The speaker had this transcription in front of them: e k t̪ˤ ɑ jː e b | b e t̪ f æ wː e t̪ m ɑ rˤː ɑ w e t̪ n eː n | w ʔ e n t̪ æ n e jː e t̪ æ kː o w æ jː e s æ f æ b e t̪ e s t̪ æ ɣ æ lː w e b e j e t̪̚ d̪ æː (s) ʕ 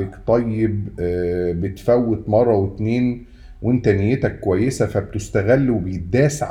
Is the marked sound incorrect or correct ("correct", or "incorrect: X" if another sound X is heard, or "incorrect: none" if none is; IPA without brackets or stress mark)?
correct